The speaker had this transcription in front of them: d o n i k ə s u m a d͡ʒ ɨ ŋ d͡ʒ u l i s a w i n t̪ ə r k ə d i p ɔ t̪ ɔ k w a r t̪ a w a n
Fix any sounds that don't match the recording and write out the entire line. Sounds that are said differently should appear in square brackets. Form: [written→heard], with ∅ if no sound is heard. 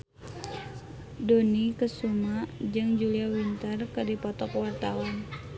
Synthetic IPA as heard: d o n i k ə s u m a d͡ʒ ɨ ŋ d͡ʒ u l i [s→∅] a w i n t̪ ə r k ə d i p ɔ t̪ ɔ k w a r t̪ a w a n